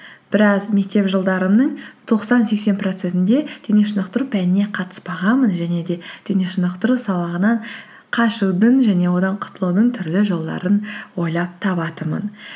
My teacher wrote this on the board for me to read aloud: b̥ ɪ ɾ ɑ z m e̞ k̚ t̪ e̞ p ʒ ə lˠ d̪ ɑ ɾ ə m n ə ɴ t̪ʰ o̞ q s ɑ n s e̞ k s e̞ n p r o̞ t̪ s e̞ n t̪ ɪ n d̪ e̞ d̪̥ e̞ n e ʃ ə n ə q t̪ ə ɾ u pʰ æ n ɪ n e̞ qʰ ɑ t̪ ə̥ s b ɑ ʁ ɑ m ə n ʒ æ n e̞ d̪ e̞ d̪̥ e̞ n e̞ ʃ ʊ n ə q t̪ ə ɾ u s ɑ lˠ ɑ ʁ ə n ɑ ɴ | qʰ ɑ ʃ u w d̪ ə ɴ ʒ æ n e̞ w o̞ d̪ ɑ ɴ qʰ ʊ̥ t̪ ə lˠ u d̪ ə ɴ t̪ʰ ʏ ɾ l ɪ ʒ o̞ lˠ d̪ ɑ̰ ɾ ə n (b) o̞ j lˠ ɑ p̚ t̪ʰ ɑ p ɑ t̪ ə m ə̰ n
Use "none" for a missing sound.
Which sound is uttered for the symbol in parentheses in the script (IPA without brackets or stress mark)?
w